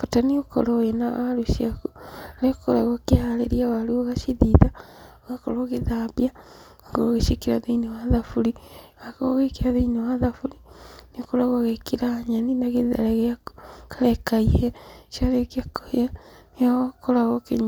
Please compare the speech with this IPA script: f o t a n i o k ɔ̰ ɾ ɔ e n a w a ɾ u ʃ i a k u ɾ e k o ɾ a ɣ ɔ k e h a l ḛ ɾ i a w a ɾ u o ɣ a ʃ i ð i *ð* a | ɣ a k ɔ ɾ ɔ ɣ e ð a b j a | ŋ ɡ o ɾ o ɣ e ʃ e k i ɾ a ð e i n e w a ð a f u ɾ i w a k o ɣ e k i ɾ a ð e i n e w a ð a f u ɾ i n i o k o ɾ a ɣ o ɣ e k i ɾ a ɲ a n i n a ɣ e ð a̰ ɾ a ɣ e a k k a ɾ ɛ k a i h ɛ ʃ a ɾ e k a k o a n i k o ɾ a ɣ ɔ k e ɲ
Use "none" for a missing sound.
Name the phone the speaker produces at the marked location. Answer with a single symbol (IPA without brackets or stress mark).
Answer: ð